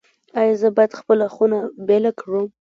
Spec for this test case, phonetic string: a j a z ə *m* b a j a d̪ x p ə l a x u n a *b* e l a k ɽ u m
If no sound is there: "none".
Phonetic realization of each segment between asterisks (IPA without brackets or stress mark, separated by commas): none, b